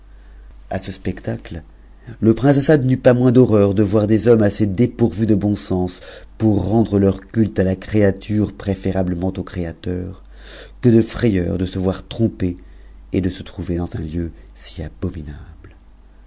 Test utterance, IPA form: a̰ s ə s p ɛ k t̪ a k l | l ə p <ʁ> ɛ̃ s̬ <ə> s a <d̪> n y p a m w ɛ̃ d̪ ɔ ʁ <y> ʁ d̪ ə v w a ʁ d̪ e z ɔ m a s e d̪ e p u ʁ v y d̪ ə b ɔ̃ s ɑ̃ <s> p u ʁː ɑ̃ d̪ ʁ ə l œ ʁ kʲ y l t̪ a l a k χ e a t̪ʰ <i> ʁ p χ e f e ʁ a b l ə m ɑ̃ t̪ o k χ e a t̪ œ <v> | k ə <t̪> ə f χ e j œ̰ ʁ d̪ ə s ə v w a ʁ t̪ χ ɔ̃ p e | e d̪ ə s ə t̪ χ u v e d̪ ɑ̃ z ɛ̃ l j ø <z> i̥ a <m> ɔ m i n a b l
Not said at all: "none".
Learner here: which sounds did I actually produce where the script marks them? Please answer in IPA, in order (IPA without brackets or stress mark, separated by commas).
χ, a, d̪, œ, s, y, ʁ, d̪, s, b